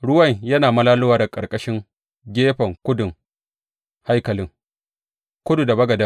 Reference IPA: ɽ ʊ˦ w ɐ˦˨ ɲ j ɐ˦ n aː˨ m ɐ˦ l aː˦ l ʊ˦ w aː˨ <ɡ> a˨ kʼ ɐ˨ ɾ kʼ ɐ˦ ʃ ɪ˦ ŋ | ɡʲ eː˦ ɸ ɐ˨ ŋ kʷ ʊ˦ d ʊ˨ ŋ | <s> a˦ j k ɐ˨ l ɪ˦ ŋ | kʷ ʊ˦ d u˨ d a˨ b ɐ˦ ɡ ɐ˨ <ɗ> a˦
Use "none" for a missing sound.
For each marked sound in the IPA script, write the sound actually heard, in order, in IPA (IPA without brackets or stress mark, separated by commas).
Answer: d, h, d